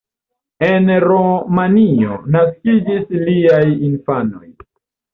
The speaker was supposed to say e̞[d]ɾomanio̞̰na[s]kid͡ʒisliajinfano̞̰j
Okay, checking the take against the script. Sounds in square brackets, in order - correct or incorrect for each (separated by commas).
incorrect, correct